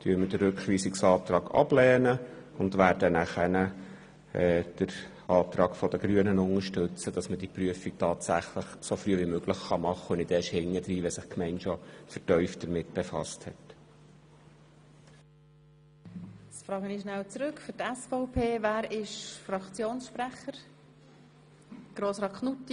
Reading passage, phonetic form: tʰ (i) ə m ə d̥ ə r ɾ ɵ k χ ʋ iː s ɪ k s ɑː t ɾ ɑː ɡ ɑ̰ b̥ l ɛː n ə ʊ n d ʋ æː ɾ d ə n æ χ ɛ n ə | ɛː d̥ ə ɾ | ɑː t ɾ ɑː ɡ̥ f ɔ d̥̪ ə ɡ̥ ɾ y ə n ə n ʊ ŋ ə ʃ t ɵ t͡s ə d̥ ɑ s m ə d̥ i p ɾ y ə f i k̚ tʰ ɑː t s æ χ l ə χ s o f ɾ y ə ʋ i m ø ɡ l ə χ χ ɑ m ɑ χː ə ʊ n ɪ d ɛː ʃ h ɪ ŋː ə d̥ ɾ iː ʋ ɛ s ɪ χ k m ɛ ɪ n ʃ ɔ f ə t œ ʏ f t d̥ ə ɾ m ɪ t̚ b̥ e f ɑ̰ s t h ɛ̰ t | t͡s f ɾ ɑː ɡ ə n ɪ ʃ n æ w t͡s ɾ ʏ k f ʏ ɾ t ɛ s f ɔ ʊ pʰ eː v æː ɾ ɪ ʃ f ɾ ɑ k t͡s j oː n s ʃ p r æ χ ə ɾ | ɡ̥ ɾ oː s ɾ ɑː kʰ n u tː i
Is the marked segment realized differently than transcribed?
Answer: yes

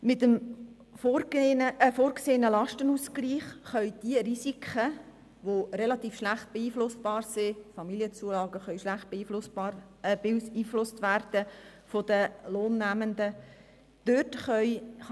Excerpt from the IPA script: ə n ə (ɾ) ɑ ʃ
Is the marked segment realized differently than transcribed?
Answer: yes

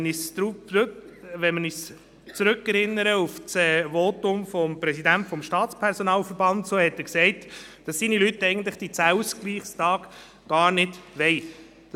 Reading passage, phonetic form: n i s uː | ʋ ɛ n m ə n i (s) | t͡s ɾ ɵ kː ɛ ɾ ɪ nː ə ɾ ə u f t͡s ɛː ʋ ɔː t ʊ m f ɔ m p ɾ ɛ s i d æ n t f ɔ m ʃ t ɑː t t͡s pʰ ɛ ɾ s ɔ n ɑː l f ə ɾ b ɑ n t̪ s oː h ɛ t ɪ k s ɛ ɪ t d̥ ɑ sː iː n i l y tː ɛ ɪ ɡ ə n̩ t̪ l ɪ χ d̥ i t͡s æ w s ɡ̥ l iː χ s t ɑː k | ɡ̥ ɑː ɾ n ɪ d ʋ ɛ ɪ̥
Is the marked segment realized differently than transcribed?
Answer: no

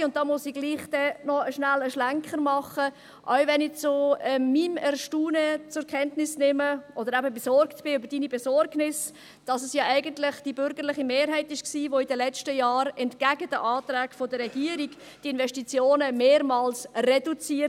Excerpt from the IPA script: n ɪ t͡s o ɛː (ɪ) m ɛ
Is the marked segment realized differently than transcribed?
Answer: yes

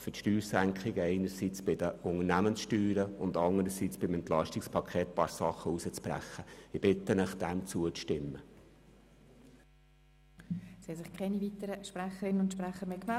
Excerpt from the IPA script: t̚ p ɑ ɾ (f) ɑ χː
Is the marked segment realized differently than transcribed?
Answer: yes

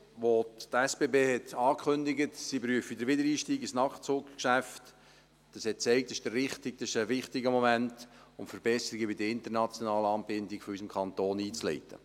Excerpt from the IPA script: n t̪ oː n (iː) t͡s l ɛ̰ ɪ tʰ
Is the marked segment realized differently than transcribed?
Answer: no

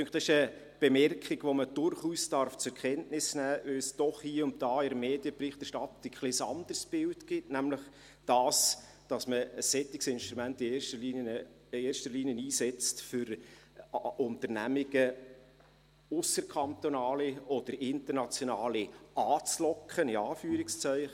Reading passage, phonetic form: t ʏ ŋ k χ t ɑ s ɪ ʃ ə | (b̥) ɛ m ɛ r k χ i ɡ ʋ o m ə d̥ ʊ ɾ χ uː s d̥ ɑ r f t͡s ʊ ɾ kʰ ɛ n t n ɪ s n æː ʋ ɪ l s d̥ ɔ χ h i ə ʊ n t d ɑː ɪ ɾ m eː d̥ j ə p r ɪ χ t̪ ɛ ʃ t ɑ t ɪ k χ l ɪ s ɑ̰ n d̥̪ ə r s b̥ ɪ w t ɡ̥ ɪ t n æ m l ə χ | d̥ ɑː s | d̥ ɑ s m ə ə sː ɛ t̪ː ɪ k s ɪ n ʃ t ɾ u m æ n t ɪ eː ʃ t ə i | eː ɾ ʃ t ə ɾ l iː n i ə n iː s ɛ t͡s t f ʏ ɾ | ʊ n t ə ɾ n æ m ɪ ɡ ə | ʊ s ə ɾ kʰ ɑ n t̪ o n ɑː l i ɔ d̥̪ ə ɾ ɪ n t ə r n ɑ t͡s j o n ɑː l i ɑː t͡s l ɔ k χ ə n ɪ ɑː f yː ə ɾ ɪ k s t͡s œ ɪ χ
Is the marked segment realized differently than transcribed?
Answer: no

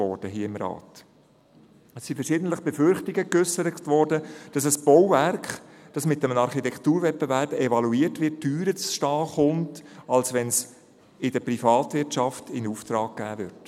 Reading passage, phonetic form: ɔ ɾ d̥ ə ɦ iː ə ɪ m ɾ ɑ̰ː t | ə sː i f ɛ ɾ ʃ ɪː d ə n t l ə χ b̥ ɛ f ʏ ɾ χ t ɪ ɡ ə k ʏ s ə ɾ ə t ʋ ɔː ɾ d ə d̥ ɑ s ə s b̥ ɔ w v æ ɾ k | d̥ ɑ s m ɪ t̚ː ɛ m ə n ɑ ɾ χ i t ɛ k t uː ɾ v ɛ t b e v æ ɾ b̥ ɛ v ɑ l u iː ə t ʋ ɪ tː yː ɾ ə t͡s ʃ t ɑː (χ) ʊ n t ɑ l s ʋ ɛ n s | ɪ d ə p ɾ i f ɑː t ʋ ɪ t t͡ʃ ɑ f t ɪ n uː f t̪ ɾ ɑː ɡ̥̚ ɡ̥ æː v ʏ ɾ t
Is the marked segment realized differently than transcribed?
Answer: no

